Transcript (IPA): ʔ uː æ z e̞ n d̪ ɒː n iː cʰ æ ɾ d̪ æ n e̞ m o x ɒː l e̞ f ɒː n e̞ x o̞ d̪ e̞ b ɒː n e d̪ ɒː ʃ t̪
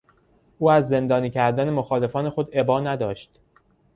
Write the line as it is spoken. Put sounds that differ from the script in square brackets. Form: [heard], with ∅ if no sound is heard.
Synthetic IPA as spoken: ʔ uː æ [zː] e̞ n d̪ ɒː n iː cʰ æ ɾ d̪ æ n e̞ m o x ɒː l e̞ f ɒː n e̞ x o̞ d̪ e̞ b ɒː n [æ] d̪ ɒː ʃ t̪